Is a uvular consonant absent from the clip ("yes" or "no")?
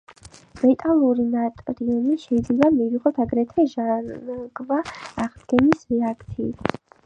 no